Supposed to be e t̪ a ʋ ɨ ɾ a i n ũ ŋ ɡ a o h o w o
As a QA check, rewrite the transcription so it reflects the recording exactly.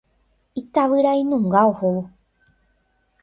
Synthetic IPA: i t̪ a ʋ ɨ ɾ a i n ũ ŋ ɡ a o h o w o